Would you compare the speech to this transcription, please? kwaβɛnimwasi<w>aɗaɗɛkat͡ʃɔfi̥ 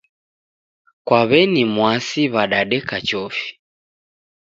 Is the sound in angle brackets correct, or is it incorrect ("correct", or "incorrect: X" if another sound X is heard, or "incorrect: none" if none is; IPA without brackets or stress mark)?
incorrect: β